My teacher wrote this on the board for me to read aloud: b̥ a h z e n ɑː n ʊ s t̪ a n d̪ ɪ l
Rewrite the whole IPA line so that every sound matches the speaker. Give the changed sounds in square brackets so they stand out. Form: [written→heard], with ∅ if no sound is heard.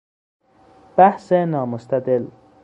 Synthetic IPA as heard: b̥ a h [z→s] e n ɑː [n→m] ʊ s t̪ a [n→∅] d̪ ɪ l